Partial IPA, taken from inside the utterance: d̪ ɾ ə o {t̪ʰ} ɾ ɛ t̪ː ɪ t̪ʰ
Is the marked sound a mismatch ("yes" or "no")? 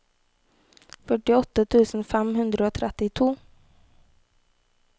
no